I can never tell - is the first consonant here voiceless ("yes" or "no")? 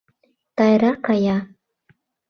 yes